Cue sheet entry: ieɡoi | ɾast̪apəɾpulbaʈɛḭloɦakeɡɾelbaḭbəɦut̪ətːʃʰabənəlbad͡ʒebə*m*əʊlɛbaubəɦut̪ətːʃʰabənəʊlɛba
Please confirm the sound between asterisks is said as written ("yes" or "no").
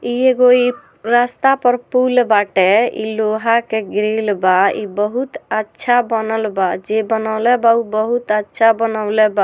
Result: no